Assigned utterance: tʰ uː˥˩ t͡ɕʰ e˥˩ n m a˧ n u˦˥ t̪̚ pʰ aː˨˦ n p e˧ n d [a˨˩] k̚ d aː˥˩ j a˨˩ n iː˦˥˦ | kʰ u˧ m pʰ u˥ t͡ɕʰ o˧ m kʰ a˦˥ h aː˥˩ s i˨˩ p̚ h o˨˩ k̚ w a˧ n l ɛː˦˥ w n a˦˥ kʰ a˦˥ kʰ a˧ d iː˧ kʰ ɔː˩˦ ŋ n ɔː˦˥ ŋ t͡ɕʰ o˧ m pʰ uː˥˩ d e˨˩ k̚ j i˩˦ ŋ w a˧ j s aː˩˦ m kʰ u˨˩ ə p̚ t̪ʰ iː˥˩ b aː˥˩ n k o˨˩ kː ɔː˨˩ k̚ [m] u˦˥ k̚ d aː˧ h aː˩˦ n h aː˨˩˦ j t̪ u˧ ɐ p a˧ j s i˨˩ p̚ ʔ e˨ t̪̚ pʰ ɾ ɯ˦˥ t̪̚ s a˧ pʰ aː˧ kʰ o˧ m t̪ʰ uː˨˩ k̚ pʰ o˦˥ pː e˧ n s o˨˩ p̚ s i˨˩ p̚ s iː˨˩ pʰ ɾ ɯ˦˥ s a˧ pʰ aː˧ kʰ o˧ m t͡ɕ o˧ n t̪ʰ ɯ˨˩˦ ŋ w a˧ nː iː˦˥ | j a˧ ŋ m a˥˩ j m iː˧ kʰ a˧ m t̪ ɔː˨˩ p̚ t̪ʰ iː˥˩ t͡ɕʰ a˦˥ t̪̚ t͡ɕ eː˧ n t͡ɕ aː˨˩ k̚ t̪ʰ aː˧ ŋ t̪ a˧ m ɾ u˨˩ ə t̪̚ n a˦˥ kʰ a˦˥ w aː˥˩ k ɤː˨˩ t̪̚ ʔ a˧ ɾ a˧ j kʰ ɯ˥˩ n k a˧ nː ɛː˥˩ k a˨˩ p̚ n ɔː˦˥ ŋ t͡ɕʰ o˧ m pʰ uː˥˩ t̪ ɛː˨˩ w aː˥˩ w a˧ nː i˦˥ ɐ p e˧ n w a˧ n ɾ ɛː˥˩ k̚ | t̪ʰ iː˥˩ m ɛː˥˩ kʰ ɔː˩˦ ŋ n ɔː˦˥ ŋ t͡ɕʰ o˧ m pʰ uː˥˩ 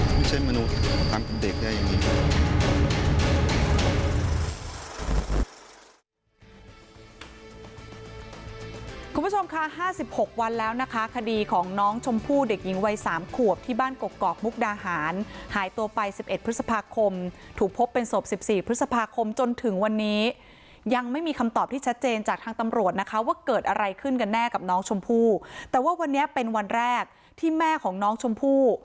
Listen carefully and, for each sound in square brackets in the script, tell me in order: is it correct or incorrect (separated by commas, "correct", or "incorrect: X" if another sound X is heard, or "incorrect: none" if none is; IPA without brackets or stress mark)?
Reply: incorrect: e˨˩, correct